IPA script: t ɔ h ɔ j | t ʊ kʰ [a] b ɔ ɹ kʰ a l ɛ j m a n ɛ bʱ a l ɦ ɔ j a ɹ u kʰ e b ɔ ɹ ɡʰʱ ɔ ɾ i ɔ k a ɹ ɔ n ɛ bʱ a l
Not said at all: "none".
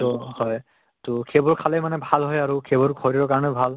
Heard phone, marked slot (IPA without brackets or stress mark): e